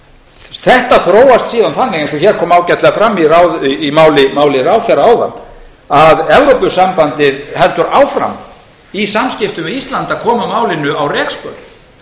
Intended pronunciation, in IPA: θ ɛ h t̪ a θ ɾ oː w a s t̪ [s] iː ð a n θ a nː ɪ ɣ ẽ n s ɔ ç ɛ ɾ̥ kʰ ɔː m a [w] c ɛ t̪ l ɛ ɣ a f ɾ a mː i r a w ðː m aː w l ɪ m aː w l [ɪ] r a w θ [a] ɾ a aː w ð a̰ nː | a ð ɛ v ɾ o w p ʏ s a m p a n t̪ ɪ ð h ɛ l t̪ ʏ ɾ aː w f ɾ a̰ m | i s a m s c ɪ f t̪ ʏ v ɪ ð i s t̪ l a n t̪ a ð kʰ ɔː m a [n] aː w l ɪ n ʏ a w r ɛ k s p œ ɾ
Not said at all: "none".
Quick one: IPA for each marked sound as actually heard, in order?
s, w, ɪ, ɛ, m

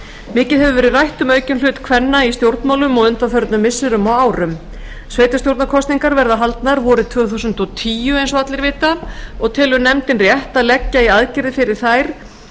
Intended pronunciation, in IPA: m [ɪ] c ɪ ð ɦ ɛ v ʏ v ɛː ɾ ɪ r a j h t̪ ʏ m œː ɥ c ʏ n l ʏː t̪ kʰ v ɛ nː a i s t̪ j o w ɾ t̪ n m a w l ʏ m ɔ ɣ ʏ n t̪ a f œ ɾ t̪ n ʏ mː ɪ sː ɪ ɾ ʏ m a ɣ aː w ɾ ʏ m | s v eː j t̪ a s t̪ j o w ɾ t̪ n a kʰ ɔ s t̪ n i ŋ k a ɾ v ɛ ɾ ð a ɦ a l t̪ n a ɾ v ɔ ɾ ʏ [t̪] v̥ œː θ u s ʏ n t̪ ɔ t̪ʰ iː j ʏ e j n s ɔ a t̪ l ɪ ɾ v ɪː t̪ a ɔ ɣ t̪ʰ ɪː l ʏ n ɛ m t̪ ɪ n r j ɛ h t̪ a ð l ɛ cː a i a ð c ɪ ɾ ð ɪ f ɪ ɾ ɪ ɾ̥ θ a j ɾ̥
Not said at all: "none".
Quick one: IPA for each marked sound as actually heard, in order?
ɪː, t̪ʰ

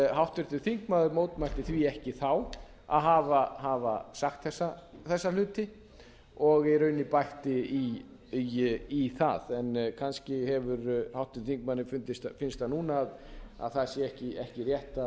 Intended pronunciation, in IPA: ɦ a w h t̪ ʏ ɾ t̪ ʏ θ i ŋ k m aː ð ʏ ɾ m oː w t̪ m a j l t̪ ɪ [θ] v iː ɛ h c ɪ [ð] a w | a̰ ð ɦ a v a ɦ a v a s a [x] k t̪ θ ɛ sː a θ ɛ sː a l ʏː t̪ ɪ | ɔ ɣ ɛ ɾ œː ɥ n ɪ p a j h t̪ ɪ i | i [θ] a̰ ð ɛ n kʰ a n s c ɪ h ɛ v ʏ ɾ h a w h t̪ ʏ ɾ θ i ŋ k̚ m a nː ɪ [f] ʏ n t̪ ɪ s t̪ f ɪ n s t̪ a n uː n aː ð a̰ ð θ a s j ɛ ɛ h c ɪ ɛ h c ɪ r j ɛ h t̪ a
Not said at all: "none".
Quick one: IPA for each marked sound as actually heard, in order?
θ, θ, x, θ, f

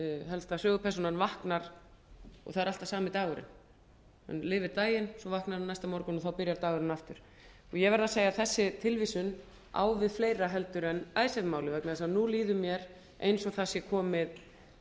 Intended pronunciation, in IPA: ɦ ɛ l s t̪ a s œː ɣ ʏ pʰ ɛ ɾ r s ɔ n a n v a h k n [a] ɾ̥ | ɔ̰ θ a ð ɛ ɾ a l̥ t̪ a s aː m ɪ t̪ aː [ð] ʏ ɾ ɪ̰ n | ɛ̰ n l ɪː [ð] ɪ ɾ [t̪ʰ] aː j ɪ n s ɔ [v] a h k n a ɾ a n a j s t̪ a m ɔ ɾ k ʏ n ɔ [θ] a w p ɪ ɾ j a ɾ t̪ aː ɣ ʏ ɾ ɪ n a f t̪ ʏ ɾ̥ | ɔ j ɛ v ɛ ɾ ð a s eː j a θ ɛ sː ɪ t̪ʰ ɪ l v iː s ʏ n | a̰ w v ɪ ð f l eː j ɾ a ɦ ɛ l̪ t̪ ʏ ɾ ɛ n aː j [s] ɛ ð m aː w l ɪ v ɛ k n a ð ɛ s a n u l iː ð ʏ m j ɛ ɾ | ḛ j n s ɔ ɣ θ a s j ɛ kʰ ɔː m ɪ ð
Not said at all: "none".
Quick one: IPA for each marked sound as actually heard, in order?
a, ɣ, v, t̪, v, θ, s

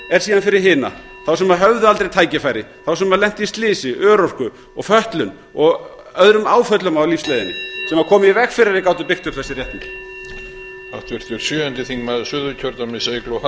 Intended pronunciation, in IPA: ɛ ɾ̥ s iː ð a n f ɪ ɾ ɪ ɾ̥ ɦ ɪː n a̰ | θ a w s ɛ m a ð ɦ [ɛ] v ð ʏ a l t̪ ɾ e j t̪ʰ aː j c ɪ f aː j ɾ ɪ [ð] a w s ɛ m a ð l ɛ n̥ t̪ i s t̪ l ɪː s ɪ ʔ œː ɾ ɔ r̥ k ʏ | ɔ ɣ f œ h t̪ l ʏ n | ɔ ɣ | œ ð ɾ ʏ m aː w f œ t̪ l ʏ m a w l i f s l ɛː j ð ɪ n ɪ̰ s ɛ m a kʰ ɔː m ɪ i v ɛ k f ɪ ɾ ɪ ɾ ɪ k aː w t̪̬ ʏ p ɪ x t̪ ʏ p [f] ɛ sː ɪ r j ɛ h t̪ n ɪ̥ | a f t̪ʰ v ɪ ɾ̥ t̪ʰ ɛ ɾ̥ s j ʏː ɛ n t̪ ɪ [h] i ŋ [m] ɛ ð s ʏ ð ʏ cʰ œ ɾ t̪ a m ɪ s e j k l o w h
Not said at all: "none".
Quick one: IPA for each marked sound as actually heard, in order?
œ, θ, θ, θ, m

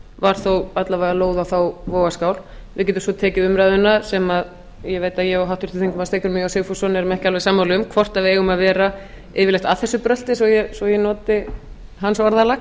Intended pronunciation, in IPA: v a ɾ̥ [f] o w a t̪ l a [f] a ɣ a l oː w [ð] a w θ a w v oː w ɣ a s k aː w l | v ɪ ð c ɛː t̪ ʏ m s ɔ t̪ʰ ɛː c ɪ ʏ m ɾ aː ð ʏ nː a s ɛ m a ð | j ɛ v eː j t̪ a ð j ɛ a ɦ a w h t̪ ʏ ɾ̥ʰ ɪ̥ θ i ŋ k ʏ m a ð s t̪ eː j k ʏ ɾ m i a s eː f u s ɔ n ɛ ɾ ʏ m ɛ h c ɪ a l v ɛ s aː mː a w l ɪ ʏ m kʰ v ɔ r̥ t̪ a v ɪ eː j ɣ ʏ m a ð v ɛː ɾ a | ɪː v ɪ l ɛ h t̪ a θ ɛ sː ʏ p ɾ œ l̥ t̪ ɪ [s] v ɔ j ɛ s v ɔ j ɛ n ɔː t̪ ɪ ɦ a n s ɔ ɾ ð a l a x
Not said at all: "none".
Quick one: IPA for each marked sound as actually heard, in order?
θ, v, ð, s

